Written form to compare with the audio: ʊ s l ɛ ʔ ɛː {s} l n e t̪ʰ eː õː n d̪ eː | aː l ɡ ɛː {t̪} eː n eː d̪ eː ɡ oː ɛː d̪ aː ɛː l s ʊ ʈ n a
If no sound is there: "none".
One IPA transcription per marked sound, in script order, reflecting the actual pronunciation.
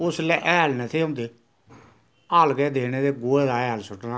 none, d̪

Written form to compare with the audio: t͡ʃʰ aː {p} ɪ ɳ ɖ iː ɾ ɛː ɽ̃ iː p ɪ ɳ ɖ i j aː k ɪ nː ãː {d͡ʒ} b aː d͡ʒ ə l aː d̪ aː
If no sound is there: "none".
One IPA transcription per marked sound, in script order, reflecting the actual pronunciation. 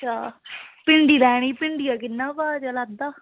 p, none

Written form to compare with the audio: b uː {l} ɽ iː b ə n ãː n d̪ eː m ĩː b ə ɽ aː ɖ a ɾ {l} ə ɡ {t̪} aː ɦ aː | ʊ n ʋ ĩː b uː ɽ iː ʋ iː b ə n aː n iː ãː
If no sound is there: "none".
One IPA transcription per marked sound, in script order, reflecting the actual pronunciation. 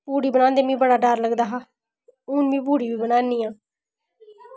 none, l, d̪

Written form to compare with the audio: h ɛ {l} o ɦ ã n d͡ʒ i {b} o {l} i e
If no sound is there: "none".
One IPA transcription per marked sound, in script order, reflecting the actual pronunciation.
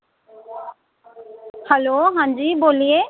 l, b, l

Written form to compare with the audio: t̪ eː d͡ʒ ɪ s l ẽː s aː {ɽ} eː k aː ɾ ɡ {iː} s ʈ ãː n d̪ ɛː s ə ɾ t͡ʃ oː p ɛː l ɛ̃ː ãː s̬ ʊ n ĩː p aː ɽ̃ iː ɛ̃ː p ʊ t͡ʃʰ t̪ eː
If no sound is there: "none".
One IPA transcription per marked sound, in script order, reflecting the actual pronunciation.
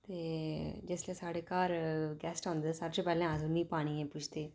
ɽ, ɛː

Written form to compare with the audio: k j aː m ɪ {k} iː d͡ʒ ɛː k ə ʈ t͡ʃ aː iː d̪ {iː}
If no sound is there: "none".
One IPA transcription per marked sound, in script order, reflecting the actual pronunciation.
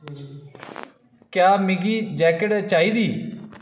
ɡ, iː

